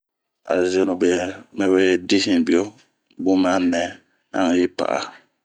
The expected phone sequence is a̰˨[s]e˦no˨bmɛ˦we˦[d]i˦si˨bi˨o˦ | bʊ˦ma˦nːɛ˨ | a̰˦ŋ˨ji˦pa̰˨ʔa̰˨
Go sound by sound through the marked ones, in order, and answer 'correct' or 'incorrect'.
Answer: incorrect, correct

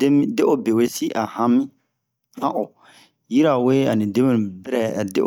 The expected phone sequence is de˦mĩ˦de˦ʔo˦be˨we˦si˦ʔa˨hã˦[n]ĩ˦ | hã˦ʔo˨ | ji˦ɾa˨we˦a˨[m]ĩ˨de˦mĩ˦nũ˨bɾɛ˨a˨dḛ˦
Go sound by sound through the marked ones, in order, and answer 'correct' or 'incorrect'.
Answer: incorrect, incorrect

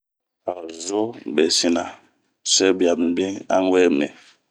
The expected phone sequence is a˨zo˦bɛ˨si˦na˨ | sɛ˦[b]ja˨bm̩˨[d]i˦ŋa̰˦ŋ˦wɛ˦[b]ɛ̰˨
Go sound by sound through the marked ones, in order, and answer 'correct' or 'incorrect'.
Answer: correct, incorrect, incorrect

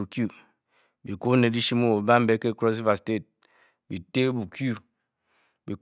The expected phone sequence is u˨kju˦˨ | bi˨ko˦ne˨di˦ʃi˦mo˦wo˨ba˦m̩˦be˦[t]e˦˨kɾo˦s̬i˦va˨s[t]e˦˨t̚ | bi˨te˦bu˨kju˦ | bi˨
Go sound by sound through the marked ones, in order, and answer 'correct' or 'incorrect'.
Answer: incorrect, correct

